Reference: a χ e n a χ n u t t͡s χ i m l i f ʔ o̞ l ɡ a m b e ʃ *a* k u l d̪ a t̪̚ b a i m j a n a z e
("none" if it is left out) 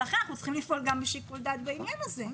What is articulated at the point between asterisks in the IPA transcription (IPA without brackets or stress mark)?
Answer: i